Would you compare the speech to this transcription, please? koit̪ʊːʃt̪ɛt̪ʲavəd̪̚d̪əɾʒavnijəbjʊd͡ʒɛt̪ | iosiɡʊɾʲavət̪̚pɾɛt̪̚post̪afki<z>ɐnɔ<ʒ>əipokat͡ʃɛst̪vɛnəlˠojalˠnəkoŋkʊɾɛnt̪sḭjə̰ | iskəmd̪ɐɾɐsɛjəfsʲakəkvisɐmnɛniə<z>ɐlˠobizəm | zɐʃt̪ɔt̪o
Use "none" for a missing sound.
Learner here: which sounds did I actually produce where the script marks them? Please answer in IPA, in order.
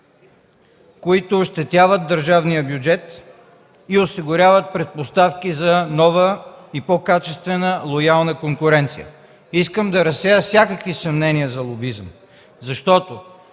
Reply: z, v, z

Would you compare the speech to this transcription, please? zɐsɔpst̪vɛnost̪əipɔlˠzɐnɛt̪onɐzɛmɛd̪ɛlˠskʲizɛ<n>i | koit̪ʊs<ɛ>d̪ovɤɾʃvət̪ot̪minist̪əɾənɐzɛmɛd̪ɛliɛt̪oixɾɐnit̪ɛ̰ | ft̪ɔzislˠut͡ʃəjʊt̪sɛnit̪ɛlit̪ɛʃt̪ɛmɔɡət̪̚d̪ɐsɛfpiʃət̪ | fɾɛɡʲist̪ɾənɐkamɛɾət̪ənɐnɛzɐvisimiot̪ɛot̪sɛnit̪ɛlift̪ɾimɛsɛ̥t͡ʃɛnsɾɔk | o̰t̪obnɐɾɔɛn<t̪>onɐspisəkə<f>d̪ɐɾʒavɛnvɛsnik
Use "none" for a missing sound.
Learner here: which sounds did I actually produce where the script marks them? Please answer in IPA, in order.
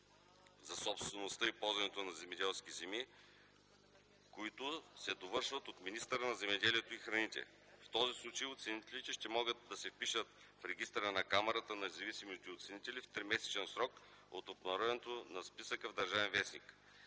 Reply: m, ɛ, t̪, v

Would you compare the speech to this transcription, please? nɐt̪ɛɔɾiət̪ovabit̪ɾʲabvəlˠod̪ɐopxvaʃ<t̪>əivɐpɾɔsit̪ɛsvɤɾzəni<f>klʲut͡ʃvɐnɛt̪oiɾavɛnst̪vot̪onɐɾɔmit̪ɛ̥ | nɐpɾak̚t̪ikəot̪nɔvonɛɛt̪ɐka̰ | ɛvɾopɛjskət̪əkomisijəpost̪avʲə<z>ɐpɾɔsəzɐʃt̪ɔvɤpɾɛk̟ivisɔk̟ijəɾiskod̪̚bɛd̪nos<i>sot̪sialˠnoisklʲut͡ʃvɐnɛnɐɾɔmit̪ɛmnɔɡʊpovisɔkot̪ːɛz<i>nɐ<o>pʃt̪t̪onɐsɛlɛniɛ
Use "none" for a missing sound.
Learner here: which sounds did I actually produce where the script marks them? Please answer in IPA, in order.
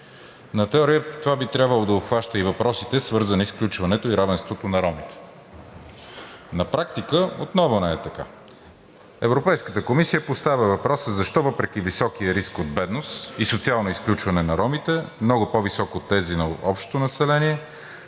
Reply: t̪, s, v, i, i, ɔ

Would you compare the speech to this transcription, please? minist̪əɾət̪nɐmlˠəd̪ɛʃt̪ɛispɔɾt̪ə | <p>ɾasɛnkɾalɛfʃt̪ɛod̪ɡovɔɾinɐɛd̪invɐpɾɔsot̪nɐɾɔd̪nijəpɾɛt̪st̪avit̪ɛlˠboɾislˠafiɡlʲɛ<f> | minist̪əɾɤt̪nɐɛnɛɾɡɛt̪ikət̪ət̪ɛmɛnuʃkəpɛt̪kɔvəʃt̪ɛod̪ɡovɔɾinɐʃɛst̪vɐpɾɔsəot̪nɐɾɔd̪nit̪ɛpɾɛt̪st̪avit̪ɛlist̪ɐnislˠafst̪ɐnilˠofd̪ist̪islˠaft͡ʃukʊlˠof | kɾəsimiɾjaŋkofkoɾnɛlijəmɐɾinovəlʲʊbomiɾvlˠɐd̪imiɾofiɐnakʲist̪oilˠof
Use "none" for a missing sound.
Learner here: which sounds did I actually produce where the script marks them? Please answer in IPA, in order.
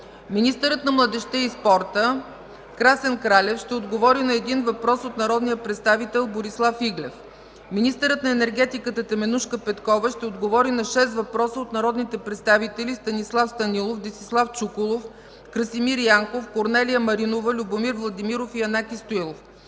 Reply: k, f

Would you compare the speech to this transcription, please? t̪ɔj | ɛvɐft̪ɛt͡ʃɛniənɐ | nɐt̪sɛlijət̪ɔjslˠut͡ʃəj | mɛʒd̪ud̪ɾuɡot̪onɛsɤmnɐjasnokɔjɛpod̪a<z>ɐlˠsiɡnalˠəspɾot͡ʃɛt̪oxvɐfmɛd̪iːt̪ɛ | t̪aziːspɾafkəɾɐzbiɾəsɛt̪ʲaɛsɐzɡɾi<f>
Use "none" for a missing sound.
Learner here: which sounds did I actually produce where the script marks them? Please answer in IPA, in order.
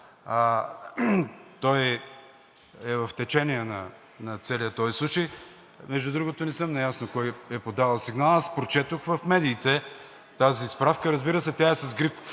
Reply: v, f

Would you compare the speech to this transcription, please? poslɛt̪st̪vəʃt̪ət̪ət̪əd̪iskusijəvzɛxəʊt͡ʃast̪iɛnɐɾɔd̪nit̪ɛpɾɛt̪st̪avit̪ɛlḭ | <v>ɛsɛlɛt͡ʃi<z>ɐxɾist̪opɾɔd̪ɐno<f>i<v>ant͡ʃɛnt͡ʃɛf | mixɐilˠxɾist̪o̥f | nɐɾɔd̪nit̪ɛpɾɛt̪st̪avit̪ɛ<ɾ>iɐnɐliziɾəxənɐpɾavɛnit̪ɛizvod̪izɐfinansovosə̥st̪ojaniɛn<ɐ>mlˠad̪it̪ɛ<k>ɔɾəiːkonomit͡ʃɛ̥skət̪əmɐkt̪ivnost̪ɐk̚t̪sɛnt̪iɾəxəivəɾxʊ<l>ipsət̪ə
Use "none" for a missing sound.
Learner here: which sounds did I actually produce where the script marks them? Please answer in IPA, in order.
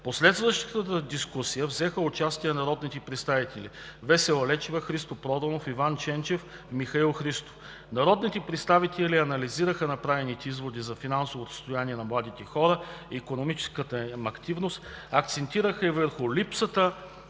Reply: v, v, f, v, l, ɐ, x, l

